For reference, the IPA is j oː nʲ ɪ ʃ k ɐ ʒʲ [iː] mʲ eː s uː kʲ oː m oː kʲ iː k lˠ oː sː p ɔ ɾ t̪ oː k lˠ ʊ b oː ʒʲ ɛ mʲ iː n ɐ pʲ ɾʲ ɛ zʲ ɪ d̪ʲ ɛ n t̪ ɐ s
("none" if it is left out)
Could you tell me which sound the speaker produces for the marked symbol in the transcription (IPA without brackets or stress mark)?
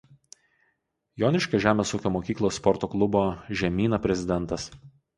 æː